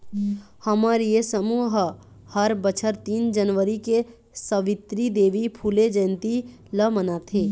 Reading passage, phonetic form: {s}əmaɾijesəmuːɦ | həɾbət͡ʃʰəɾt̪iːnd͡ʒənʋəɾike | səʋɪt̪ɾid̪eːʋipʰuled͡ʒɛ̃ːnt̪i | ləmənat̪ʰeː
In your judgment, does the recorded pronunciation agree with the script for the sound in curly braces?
no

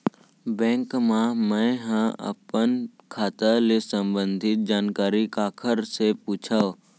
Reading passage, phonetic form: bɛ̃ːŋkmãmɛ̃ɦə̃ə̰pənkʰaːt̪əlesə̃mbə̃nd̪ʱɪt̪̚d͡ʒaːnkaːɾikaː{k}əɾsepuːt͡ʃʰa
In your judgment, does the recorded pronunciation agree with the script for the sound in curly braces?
no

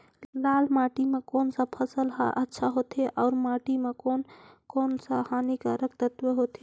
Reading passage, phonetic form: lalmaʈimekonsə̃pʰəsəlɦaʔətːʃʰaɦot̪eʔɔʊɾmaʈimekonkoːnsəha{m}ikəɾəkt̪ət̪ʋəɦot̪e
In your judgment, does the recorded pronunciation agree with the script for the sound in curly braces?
no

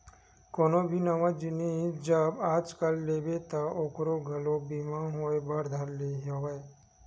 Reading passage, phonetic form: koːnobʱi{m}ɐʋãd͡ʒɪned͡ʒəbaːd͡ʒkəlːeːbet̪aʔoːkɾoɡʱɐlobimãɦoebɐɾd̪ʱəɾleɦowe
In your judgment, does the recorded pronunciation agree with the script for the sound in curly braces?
no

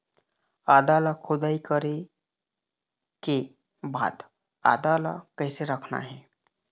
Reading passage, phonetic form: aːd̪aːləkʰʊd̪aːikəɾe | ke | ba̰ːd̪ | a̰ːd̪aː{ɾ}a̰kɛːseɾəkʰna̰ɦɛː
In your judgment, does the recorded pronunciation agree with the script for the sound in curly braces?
no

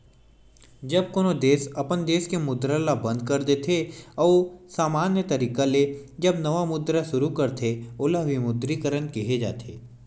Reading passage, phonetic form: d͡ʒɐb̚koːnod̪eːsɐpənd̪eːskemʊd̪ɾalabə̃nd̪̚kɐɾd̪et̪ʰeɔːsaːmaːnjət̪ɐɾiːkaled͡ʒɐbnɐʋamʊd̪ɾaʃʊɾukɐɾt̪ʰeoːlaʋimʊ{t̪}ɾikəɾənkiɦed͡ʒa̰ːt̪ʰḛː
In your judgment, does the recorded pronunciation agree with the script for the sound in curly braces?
no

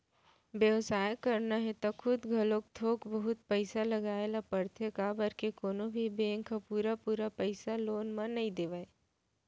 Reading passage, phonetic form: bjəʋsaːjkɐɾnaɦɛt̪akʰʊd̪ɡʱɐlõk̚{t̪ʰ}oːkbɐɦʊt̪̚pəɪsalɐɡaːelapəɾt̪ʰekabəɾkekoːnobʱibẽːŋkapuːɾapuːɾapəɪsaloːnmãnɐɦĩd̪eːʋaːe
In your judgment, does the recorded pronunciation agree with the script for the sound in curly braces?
yes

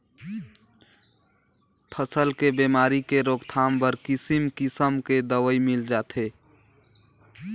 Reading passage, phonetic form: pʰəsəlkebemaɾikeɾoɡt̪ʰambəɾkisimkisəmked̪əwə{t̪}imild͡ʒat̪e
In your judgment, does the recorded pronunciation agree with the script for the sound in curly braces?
no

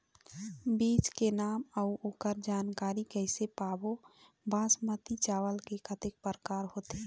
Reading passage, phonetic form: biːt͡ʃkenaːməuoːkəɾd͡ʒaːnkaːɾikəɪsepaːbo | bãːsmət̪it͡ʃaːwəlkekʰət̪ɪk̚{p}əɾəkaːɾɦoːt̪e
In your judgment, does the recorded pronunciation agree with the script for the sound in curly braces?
yes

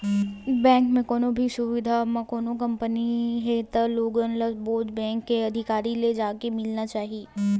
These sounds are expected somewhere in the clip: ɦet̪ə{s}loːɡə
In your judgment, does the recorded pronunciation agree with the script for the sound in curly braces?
no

